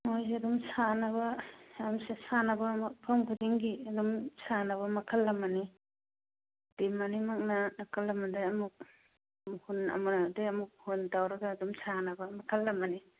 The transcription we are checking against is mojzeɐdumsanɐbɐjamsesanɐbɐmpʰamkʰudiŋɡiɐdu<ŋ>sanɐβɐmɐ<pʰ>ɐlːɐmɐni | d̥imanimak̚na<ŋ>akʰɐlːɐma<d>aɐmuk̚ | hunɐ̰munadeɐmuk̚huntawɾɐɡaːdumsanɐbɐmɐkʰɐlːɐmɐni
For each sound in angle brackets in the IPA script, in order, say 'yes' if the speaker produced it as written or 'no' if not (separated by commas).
no, no, no, yes